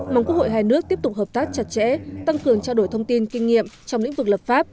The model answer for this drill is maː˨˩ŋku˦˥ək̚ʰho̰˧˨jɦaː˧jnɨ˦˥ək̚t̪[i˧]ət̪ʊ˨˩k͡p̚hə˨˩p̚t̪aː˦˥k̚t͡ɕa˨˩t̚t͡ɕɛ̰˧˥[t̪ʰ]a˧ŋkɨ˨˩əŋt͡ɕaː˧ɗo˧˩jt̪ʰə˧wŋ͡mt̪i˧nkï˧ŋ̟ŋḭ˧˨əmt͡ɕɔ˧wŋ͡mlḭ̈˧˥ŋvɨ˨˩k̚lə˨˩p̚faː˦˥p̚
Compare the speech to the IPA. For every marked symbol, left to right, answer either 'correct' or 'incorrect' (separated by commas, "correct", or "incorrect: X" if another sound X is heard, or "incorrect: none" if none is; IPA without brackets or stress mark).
incorrect: i˦˥, incorrect: t̪